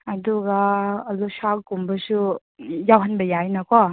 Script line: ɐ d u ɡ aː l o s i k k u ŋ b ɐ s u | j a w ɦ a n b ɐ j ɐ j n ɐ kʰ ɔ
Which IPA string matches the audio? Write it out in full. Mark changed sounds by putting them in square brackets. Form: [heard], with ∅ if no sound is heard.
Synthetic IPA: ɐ d u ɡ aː l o s [a] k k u [m] b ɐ s u | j a w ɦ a n b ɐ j [a] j n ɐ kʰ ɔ